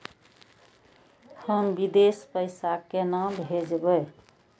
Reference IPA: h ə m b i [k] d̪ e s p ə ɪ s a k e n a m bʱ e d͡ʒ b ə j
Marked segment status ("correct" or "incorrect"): incorrect